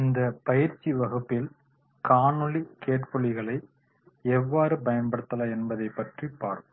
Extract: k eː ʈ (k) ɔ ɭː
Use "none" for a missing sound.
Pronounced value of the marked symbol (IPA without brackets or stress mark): p